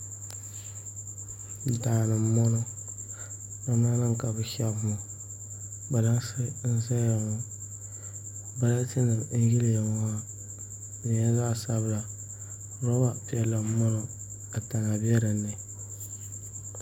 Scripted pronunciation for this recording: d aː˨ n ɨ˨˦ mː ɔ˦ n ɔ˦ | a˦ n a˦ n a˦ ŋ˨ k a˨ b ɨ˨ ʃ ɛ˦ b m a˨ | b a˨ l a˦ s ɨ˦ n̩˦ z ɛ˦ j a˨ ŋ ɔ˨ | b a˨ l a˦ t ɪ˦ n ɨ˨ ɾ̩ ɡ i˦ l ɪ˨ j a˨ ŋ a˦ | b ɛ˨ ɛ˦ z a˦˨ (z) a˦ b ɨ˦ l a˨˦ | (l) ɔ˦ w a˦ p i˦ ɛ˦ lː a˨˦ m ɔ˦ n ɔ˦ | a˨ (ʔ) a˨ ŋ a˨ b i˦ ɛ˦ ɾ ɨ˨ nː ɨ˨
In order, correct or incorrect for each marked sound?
incorrect: s, incorrect: ɾ, incorrect: t

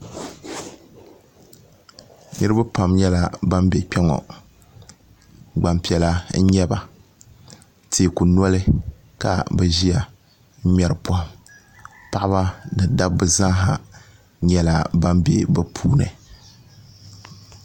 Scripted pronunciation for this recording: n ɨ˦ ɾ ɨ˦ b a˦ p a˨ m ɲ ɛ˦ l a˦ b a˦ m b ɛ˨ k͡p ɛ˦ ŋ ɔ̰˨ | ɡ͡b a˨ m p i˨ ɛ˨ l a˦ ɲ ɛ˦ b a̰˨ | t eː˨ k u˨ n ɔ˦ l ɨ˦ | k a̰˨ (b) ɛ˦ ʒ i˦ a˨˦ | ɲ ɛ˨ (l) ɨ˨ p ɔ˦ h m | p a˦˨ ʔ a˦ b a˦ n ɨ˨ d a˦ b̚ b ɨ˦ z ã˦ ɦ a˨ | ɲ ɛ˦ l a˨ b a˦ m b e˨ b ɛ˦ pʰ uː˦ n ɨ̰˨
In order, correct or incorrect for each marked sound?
correct, incorrect: ɾ

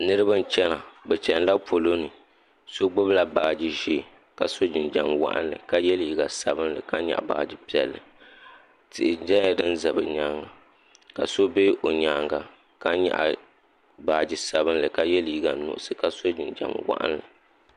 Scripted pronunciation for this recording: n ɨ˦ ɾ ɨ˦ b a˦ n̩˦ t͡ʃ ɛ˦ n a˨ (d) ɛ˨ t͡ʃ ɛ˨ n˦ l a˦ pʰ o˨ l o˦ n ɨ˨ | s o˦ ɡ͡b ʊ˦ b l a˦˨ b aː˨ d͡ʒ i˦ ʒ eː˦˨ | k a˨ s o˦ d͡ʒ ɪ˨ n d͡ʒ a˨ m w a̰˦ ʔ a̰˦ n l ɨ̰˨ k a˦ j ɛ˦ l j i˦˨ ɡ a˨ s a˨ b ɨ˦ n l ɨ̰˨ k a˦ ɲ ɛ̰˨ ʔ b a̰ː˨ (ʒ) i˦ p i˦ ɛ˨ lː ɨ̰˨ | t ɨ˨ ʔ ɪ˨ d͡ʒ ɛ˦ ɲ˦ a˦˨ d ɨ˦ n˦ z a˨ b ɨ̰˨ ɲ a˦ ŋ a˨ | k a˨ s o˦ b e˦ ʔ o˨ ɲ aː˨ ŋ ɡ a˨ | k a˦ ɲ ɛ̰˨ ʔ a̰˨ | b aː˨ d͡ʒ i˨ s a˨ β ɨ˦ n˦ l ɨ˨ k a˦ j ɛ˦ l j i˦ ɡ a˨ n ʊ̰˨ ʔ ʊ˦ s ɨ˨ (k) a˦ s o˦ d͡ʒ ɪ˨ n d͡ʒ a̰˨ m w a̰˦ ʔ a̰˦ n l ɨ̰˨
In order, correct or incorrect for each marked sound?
incorrect: b, incorrect: d͡ʒ, correct

